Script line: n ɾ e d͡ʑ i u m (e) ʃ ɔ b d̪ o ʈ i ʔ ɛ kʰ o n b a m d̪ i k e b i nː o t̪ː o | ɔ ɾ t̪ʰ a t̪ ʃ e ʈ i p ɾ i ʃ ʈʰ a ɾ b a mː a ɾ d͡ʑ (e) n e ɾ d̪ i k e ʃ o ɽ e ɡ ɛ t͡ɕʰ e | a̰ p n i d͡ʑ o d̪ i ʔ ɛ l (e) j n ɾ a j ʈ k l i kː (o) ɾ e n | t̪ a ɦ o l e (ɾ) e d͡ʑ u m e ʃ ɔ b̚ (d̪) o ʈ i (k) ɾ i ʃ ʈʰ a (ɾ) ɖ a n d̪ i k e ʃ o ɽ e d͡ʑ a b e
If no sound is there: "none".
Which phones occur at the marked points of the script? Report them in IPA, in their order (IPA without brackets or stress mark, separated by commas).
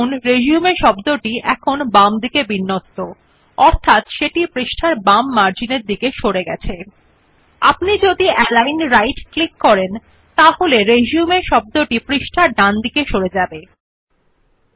e, i, a, ɔ, ɾ, d̪, p, ɾ